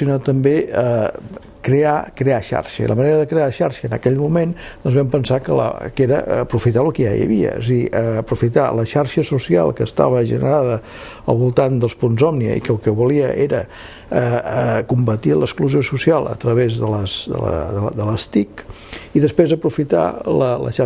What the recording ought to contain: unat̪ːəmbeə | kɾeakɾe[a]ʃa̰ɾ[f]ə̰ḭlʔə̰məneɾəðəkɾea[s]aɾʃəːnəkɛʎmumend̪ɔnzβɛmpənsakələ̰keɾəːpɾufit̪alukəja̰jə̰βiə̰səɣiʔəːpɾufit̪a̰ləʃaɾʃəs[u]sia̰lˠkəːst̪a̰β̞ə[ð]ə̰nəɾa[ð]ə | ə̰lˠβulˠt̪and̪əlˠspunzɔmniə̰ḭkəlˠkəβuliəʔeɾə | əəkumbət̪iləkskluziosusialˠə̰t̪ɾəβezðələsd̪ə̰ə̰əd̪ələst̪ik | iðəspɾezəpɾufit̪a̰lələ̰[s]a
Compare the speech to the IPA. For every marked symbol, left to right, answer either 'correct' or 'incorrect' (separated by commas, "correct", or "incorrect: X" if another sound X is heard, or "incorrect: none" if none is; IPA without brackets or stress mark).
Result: correct, incorrect: ʃ, incorrect: ʃ, correct, incorrect: ʒ, correct, incorrect: ʃ